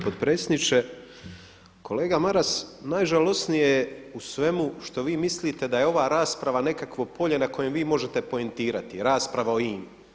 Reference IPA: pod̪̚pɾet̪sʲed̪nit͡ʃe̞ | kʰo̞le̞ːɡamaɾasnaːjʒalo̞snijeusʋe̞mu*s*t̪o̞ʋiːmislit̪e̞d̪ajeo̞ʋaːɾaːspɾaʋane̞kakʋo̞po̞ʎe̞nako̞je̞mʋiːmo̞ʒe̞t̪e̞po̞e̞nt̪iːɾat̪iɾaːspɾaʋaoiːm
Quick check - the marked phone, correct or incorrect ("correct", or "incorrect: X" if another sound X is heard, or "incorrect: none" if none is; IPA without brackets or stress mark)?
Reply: incorrect: ʃ